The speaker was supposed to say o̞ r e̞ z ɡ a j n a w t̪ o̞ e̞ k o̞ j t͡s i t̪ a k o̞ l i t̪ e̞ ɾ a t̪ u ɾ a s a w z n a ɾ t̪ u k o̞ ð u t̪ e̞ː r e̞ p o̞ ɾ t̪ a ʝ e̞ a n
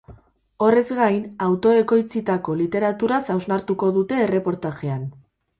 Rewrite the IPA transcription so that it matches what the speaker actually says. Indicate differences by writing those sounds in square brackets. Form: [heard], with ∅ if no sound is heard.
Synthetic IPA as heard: o̞ r e̞ z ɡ a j n a w t̪ o̞ e̞ k o̞ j t͡s i t̪ a k o̞ l i t̪ e̞ ɾ a t̪ u ɾ a s a w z n a ɾ t̪ u k o̞ ð u t̪ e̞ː r e̞ p o̞ ɾ t̪ a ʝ e̞ a n